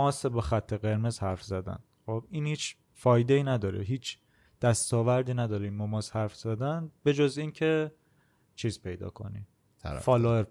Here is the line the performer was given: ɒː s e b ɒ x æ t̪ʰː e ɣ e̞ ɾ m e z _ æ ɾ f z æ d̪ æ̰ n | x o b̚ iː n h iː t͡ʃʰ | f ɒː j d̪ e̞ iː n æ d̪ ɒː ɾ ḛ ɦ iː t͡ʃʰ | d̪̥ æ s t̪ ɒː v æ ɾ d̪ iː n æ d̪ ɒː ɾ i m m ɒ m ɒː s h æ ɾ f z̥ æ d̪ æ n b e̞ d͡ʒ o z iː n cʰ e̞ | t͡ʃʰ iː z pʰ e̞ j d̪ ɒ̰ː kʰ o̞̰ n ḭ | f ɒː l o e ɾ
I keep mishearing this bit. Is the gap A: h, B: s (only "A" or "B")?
A